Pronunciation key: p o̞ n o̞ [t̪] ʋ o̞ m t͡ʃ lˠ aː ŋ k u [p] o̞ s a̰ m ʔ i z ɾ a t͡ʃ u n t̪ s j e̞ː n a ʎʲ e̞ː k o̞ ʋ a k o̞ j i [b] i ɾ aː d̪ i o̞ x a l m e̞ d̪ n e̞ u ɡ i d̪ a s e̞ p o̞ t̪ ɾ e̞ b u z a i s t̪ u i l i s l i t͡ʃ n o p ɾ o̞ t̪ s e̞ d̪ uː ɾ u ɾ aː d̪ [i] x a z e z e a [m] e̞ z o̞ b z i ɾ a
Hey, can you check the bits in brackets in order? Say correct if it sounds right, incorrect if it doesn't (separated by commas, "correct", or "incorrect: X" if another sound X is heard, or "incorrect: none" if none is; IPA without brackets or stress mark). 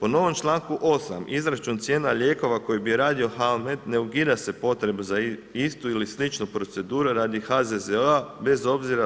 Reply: incorrect: none, incorrect: ʔ, correct, correct, incorrect: b